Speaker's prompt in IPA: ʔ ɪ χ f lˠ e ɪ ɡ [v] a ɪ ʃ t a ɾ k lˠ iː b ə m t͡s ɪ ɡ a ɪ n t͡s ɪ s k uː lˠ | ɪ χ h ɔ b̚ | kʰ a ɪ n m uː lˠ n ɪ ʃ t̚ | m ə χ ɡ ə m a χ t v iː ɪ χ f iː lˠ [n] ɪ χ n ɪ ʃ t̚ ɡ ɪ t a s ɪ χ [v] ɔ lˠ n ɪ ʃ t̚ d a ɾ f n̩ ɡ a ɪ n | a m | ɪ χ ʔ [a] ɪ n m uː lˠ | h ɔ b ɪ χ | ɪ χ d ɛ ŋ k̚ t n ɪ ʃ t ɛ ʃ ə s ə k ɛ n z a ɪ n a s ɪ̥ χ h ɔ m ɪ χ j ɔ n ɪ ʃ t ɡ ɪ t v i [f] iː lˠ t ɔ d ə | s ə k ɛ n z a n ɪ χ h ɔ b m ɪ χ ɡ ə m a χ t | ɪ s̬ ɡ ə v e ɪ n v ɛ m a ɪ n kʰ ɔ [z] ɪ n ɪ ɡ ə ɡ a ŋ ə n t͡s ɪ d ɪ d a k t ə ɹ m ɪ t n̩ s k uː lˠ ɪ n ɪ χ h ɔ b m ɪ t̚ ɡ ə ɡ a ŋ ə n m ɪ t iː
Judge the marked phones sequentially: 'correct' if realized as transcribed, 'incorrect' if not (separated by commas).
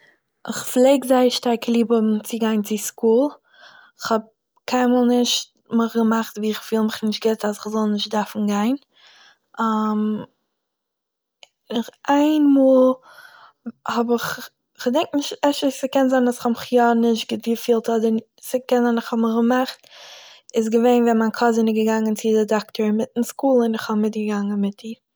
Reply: incorrect, incorrect, incorrect, correct, correct, correct